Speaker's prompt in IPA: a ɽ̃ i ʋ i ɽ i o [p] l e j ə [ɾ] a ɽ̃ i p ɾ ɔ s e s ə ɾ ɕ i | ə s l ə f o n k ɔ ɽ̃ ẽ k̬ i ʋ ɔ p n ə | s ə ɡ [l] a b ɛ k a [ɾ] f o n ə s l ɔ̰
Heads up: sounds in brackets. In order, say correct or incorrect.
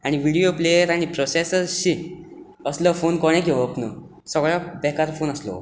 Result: correct, correct, incorrect, correct

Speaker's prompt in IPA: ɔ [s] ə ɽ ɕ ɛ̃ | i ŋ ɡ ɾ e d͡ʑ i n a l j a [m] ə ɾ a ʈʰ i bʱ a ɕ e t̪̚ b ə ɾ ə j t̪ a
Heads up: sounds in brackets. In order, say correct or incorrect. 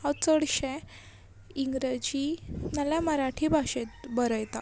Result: incorrect, correct

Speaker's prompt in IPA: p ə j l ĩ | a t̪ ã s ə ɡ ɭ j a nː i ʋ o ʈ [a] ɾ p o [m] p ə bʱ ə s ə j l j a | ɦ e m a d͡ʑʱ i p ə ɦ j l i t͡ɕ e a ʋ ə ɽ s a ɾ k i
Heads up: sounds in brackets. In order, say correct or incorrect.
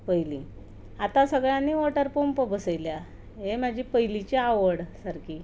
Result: incorrect, correct

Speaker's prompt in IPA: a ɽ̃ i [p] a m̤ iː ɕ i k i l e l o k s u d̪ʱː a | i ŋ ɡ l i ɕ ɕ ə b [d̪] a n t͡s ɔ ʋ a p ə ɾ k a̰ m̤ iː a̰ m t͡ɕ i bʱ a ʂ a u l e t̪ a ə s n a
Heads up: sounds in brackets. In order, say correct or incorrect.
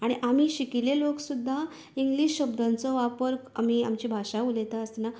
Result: incorrect, correct

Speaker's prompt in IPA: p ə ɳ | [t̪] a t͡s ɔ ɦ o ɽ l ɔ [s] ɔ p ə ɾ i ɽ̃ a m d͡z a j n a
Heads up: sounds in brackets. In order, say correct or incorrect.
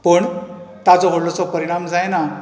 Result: correct, incorrect

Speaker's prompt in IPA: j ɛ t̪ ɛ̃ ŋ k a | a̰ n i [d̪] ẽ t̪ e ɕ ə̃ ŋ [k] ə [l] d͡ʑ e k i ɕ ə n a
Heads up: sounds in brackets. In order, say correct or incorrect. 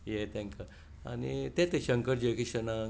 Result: incorrect, correct, incorrect

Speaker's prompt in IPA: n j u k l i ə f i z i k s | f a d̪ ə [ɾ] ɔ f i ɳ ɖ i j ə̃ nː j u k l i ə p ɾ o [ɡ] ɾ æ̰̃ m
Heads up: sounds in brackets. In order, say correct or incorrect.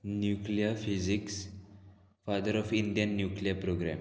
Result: correct, correct

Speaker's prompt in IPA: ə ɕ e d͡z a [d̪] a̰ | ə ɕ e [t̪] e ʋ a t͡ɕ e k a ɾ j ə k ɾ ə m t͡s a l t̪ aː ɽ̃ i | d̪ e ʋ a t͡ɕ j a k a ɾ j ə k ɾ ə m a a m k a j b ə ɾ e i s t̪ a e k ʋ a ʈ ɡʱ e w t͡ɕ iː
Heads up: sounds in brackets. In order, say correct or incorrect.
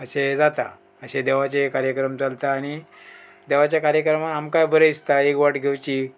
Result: incorrect, incorrect

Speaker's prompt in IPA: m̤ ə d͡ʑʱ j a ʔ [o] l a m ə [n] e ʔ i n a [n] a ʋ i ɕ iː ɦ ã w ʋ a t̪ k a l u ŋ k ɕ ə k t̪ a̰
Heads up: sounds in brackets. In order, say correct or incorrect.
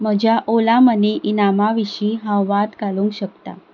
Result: correct, correct, incorrect

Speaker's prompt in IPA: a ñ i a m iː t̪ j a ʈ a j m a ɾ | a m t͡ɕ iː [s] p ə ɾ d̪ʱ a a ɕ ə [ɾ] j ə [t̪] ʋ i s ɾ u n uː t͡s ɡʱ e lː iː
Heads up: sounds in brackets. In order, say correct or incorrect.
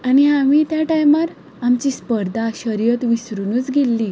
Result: correct, correct, correct

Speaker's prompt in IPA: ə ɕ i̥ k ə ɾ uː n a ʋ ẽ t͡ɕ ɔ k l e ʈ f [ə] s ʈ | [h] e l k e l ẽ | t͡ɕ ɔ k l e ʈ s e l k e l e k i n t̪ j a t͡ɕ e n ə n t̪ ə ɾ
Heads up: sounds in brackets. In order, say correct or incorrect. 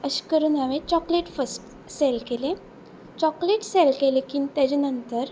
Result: correct, incorrect

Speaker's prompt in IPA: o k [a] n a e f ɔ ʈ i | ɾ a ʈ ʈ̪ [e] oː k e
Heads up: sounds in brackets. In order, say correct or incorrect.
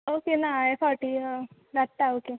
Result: incorrect, incorrect

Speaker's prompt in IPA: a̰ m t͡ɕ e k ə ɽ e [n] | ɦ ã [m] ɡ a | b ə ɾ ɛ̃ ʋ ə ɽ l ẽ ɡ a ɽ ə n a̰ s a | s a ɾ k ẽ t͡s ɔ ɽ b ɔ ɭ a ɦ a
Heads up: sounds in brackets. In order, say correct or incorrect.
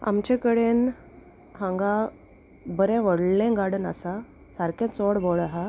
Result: correct, incorrect

